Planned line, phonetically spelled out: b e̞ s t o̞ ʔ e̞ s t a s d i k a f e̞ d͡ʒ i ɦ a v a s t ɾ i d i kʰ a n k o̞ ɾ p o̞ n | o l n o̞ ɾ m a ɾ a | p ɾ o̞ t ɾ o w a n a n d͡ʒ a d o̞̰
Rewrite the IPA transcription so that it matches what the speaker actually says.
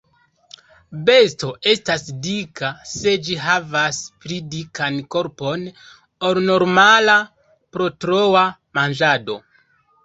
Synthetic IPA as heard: b e̞ s t o̞ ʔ e̞ s t a s d i k a s e̞ d͡ʒ i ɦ a v a s p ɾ i d i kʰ a n k o̞ ɾ p o̞ n | o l n o̞ ɾ m a l a | p ɾ o̞ t ɾ o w a m a n d͡ʒ a d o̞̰